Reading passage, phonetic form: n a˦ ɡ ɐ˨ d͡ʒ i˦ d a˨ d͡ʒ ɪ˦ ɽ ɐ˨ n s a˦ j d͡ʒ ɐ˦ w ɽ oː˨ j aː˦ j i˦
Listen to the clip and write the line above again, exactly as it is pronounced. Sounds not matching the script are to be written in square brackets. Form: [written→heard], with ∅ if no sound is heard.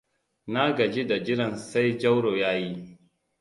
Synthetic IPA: n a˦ ɡ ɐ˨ d͡ʒ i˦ d a˨ d͡ʒ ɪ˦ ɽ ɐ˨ n s a˦ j d͡ʒ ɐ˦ w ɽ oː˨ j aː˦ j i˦